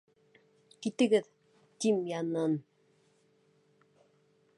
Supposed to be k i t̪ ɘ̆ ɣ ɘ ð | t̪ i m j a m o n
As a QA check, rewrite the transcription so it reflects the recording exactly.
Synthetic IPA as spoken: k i t̪ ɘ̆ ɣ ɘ ð | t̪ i m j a n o n